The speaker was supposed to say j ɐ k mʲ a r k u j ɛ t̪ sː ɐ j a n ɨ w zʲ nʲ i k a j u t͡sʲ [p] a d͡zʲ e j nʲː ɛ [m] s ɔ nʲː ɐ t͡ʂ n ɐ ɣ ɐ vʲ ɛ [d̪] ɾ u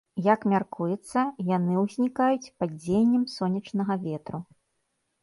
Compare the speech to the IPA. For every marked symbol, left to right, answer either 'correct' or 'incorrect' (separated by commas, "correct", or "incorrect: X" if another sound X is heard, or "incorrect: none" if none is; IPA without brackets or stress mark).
correct, correct, incorrect: t̪